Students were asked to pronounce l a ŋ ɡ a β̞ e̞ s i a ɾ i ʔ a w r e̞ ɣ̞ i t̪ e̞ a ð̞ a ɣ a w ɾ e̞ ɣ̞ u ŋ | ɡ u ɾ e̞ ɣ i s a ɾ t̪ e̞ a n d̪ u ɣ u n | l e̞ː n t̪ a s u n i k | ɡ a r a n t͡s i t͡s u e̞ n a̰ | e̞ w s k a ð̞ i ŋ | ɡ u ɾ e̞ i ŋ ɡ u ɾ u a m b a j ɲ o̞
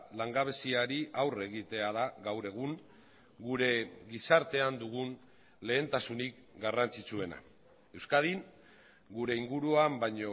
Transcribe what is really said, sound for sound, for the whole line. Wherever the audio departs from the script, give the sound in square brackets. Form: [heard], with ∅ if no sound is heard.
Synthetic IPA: l a ŋ ɡ a β̞ e̞ s i a ɾ i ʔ a w r e̞ ɣ̞ i t̪ e̞ a ð̞ a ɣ a w ɾ e̞ ɣ̞ u ŋ | ɡ u ɾ e̞ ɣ i s a ɾ t̪ e̞ a n d̪ u ɣ u n | l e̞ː n t̪ a s u n i k | ɡ a r a n t͡s i t͡s u e̞ n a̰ | e̞ w s k a ð̞ i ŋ | ɡ u ɾ e̞ i ŋ ɡ u ɾ u a m b a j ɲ o̞